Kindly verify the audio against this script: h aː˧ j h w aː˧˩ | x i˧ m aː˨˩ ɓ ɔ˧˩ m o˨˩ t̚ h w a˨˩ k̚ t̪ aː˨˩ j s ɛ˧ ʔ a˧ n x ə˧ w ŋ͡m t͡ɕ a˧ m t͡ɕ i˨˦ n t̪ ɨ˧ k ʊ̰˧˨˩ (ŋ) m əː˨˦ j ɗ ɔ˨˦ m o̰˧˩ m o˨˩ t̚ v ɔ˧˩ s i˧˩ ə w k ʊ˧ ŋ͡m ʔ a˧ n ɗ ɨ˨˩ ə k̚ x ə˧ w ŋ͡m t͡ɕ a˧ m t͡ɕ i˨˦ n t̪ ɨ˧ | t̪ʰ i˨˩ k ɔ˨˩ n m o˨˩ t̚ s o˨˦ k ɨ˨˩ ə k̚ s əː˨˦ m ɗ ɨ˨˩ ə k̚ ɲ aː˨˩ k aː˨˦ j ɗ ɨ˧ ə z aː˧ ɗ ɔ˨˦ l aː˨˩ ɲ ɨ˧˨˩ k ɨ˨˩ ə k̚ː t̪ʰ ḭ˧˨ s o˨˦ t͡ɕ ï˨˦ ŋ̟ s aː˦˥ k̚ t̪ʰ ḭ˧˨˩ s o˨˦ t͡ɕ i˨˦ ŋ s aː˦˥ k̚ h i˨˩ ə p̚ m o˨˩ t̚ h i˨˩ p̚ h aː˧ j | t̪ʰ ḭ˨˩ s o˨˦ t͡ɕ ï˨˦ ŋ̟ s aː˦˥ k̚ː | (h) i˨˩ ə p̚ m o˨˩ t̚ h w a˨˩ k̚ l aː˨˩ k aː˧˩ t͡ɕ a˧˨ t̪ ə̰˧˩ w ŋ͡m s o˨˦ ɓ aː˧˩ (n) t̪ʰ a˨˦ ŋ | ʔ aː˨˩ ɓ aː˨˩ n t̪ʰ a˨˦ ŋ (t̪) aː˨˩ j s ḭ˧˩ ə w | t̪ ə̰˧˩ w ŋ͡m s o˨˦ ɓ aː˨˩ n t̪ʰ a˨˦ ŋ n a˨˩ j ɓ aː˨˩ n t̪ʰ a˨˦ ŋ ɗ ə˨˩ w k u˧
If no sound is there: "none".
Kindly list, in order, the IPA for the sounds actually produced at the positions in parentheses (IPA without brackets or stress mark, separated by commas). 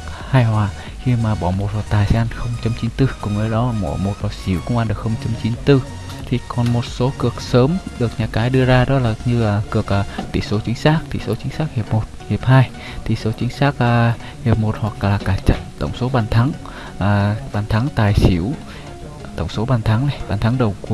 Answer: ŋ͡m, h, n, t̪